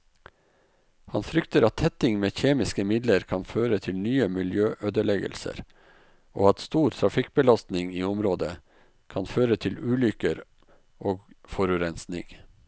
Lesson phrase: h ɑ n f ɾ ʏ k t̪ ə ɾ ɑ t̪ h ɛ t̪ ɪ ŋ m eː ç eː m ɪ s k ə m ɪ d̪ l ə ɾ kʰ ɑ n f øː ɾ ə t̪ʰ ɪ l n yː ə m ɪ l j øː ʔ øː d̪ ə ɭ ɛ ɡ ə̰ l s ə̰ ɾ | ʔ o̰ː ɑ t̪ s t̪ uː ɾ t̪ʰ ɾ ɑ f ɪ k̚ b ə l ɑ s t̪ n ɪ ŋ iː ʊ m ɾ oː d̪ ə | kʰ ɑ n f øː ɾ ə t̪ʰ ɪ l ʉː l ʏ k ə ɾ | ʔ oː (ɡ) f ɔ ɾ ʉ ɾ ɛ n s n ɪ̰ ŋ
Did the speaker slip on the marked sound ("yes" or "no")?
no